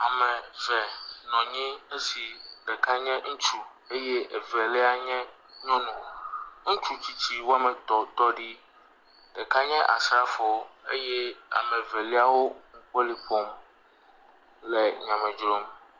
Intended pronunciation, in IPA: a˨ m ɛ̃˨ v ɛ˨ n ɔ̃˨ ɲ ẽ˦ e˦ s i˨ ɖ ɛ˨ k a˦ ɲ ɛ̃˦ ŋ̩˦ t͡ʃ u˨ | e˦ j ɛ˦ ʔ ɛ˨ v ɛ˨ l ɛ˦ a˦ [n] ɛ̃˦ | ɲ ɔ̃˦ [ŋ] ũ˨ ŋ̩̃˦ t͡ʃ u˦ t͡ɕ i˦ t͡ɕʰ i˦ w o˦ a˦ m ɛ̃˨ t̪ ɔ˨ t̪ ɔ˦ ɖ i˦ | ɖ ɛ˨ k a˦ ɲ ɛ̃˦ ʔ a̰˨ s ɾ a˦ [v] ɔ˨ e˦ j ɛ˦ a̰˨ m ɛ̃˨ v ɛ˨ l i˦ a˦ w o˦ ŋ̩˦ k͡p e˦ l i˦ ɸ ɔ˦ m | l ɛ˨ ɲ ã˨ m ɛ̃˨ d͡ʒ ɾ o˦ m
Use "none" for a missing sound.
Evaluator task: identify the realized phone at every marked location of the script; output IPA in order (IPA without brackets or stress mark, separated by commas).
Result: ɲ, n, f